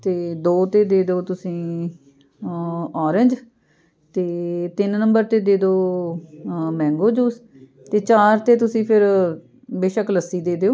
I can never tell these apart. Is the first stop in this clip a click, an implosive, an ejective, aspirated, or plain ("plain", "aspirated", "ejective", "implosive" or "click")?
plain